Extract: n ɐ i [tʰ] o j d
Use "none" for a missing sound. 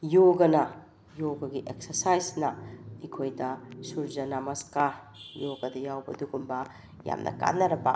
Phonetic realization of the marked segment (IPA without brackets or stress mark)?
kʰ